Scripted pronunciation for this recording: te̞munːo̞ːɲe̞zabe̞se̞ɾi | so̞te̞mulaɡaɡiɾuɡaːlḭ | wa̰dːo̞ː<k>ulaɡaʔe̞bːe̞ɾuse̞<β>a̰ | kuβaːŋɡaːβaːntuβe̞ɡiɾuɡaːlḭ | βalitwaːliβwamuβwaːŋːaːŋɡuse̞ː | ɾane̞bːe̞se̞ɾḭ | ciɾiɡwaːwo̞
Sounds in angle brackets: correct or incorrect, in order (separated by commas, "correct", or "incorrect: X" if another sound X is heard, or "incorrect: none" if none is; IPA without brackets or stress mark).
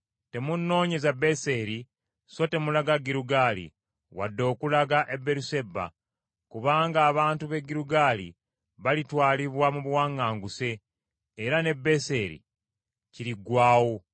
correct, incorrect: b